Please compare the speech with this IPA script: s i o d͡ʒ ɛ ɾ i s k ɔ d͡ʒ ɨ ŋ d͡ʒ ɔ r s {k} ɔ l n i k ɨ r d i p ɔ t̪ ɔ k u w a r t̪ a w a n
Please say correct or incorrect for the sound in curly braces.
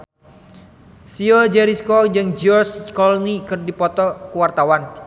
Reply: correct